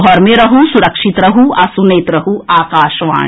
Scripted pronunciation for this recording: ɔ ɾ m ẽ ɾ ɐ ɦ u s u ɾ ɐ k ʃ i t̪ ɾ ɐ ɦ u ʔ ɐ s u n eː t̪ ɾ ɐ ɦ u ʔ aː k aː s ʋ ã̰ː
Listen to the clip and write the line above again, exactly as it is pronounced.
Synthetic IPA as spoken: ɔ ɾ m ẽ ɾ ɐ ɦ u s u ɾ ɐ k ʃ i t̪ ɾ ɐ ɦ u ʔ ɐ s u n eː t̪ ɾ ɐ ɦ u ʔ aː k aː ʃ ʋ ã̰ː